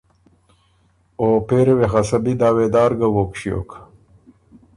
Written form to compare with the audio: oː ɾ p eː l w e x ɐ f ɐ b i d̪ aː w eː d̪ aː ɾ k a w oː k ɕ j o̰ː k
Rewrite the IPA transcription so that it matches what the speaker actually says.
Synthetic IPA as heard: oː p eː ɾ w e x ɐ s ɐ b i d̪ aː w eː d̪ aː ɾ ɡ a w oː k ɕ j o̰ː k